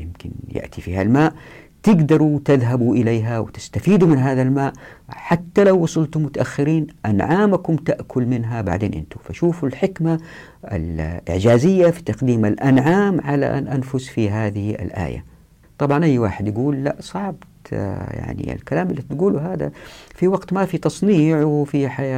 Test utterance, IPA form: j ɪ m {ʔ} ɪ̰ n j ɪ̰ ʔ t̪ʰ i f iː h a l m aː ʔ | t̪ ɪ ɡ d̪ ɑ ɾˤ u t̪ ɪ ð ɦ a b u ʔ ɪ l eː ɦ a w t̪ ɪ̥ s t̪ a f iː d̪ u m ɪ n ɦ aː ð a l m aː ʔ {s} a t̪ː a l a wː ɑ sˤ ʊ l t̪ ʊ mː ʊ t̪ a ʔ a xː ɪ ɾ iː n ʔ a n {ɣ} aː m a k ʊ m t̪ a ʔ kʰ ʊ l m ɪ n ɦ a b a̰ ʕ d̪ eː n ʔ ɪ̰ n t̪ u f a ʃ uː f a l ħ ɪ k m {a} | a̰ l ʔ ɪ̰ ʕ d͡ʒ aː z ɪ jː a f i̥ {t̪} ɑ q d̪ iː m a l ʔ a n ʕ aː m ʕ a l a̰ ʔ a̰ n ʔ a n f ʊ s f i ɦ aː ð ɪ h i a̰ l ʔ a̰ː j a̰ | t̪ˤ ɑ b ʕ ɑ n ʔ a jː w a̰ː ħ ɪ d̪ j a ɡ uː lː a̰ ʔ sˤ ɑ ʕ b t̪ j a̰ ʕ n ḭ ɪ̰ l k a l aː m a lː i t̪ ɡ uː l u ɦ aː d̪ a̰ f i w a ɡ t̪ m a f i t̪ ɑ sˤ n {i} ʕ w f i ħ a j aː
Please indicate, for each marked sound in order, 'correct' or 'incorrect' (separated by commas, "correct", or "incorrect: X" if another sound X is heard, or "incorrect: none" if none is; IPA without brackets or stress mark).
incorrect: k, incorrect: ħ, incorrect: ʕ, correct, correct, incorrect: iː